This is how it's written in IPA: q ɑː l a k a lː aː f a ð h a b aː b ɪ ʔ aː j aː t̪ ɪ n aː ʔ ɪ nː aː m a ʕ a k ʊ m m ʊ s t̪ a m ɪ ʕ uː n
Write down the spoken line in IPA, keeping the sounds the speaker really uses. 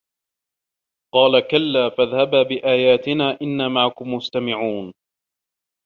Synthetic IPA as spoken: q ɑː l a k a lː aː f a ð h a b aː b ɪ ʔ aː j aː t̪ ɪ n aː ʔ ɪ nː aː m a ʕ a k ʊ m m ʊ s t̪ a m ɪ ʕ uː n